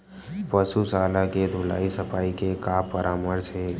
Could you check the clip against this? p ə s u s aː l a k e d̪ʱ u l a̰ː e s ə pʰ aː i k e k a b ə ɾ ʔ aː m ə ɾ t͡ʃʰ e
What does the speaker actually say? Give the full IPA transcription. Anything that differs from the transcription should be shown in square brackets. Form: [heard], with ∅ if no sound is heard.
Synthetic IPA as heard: p ə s u s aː l a k e d̪ʱ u l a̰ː [i] s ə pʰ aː i k e k a [p] ə ɾ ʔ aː m ə ɾ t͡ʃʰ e